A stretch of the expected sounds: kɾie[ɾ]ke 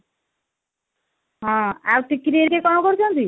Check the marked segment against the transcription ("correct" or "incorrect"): correct